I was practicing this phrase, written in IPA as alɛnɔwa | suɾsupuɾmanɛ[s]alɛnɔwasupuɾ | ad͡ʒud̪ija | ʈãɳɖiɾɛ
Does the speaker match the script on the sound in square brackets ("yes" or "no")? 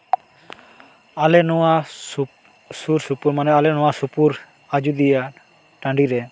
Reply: no